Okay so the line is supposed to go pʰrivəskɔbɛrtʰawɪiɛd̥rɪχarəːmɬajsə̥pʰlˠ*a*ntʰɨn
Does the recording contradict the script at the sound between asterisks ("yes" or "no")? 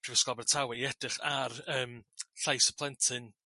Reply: yes